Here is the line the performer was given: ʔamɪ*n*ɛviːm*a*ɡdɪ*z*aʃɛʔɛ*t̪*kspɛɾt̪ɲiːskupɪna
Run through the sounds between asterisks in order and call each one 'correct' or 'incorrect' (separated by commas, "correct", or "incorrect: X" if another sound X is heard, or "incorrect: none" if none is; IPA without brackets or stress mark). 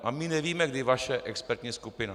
correct, incorrect: ɛ, incorrect: v, incorrect: none